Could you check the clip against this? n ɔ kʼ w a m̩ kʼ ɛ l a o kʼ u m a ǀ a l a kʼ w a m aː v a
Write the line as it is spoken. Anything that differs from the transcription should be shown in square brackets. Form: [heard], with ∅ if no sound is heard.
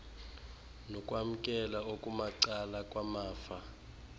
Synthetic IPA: n ɔ kʼ w a m̩ kʼ ɛ l a o kʼ u m a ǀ a l a kʼ w a m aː [f] a